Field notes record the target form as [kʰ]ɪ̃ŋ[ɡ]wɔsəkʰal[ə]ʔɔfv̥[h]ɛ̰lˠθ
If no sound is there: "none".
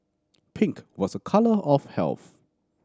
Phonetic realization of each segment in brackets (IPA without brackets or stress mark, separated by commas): pʰ, k, ə, h